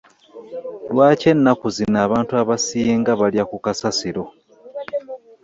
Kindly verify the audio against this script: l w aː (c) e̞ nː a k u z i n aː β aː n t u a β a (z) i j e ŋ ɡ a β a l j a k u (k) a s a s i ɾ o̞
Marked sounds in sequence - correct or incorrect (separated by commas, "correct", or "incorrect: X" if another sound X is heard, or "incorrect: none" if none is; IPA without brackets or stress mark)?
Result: correct, incorrect: s, correct